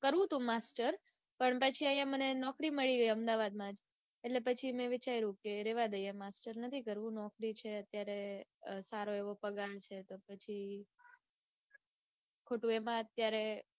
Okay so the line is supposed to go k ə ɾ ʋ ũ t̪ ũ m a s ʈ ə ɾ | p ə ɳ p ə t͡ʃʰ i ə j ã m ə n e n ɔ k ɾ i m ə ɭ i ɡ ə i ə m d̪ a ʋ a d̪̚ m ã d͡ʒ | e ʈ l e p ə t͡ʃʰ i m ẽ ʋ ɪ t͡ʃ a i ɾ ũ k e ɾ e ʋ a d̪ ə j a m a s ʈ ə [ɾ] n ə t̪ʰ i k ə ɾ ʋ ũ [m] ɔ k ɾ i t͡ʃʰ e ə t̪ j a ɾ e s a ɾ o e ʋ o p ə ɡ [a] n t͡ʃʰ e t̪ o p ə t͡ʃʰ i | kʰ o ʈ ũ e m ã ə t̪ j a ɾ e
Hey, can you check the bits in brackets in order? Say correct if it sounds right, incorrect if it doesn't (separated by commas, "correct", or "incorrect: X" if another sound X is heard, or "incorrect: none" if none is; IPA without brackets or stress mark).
correct, incorrect: n, correct